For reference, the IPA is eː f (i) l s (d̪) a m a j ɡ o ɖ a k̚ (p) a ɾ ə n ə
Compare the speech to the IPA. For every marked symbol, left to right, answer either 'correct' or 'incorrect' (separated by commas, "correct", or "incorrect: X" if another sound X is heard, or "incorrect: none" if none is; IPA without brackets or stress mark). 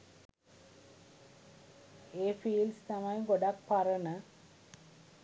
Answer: incorrect: iː, incorrect: t̪, correct